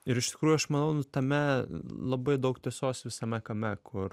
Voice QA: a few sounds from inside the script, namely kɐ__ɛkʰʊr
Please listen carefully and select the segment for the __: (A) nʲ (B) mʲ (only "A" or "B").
B